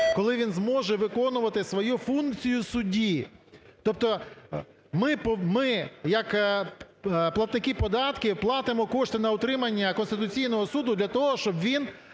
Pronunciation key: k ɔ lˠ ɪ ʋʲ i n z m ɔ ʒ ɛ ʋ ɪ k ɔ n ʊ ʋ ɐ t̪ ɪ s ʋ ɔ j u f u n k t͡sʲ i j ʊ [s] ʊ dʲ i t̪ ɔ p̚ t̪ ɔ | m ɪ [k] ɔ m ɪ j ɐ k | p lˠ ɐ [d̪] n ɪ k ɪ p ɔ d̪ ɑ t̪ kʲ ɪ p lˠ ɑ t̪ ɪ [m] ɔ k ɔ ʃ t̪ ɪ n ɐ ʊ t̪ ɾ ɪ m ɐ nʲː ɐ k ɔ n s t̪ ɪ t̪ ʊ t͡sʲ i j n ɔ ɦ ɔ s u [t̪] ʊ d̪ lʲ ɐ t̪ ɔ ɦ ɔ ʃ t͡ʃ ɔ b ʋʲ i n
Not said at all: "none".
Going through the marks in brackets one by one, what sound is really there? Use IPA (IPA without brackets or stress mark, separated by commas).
s, p, t̪, m, d̪